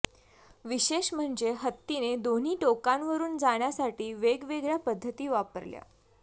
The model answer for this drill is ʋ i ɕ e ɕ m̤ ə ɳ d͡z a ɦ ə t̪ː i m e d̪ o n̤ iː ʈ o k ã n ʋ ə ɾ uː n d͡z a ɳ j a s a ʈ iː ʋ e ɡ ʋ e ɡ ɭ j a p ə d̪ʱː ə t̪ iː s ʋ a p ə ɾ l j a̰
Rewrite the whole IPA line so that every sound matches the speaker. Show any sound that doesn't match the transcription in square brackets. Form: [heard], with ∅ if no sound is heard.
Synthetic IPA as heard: ʋ i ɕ e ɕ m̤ ə ɳ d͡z [e] ɦ ə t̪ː i [n] e d̪ o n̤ iː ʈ o k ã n ʋ ə ɾ uː n d͡z a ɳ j a s a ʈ iː ʋ e ɡ ʋ e ɡ ɭ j a p ə d̪ʱː ə t̪ iː [∅] ʋ a p ə ɾ l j a̰